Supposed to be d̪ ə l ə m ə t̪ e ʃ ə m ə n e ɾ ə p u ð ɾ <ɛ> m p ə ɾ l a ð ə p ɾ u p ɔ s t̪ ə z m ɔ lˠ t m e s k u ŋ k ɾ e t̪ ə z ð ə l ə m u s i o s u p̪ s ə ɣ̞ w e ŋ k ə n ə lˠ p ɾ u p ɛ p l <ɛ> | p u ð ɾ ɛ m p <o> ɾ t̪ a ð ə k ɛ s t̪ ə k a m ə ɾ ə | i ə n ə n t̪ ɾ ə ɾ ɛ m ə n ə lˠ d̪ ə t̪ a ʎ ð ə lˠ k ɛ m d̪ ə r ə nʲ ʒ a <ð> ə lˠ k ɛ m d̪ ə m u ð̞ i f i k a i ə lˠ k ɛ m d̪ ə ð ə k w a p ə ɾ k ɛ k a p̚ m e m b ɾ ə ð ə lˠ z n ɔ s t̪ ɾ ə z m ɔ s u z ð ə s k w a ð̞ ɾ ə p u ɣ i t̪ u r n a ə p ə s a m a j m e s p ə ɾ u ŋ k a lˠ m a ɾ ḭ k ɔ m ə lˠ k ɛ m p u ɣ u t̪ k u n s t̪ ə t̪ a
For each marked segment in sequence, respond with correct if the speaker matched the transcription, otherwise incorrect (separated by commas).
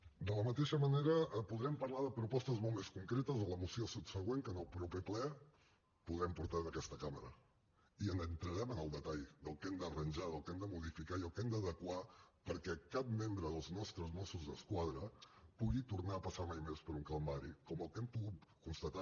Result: correct, correct, incorrect, correct